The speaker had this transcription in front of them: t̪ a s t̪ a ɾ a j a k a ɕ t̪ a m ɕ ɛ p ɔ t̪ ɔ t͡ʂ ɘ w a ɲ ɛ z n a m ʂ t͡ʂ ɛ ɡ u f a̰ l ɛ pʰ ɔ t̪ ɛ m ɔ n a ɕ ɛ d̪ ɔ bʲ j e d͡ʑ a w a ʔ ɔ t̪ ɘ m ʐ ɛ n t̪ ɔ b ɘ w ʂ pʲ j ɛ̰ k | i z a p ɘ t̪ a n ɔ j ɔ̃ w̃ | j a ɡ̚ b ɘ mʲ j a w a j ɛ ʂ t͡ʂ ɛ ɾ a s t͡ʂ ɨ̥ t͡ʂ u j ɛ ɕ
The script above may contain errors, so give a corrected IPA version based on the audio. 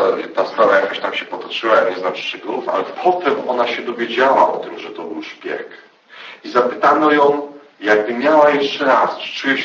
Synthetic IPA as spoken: t̪ a s t̪ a ɾ a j a k a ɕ t̪ a m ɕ ɛ p ɔ t̪ ɔ t͡ʂ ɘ w a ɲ ɛ z n a m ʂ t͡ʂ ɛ ɡ u f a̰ l ɛ pʰ ɔ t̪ ɛ m ɔ n a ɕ ɛ d̪ ɔ vʲ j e d͡ʑ a w a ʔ ɔ t̪ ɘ m ʐ ɛ t̪ ɔ b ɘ w ʂ pʲ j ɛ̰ k | i z a p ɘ t̪ a n ɔ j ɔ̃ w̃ | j a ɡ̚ b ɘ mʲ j a w a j ɛ ʂ t͡ʂ ɛ ɾ a s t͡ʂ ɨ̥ t͡ʂ u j ɛ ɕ